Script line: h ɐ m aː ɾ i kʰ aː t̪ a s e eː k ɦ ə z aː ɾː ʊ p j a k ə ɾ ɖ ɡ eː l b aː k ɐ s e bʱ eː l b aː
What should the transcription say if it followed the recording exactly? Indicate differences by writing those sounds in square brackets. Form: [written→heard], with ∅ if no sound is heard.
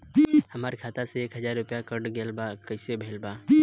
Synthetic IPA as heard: h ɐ m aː ɾ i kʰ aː t̪ a s e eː k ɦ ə z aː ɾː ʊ p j a k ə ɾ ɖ ɡ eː l b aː k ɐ s e bʱ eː l b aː